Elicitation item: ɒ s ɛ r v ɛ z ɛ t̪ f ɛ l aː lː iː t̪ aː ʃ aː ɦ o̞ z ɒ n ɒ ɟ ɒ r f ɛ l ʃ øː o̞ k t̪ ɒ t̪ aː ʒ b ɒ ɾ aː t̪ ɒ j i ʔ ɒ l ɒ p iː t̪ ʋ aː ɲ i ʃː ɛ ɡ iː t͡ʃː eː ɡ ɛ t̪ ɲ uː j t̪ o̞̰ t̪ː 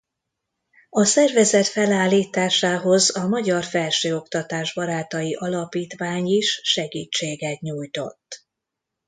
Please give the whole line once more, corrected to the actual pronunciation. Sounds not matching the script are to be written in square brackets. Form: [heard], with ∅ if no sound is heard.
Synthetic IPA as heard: ɒ s ɛ r v ɛ z ɛ t̪ f ɛ l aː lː iː t̪ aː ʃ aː ɦ o̞ z ɒ [m] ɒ ɟ ɒ r f ɛ l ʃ øː o̞ k t̪ ɒ t̪ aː ʒ b ɒ ɾ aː t̪ ɒ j i ʔ ɒ l ɒ p iː t̪ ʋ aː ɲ i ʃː ɛ ɡ iː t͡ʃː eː ɡ ɛ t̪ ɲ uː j t̪ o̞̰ t̪ː